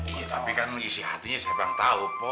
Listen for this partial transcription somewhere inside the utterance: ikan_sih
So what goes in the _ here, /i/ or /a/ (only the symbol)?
i